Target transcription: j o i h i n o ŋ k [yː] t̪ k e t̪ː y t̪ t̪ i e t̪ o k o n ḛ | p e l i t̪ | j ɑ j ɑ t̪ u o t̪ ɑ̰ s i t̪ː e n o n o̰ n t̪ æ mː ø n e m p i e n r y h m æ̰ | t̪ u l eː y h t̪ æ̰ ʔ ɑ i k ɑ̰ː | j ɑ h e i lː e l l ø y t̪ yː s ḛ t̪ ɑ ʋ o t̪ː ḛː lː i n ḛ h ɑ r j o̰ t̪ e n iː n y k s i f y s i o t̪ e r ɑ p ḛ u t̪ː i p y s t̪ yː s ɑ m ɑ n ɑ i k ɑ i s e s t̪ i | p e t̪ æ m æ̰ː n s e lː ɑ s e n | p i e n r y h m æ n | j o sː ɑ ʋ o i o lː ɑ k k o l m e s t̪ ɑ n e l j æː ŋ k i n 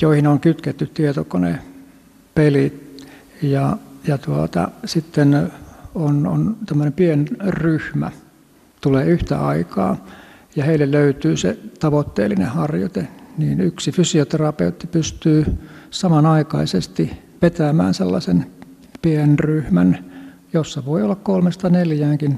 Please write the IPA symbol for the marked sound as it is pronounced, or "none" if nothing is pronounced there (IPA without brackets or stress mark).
y